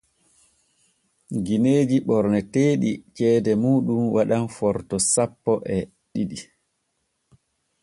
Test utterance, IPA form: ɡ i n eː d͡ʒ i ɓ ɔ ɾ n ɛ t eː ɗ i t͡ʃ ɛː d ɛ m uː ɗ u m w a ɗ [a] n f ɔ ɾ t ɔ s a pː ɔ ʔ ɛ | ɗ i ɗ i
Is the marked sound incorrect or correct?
correct